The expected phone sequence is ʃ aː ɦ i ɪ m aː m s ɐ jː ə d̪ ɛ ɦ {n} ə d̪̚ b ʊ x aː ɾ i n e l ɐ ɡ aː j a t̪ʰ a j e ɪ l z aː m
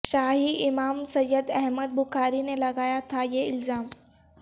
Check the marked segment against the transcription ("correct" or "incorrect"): incorrect